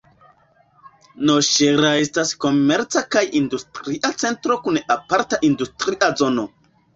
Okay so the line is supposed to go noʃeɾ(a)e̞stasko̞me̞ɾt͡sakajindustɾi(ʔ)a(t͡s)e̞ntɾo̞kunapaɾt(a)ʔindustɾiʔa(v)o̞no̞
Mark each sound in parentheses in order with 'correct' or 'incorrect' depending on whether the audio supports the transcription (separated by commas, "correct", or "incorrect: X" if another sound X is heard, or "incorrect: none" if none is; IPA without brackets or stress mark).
correct, correct, correct, correct, incorrect: z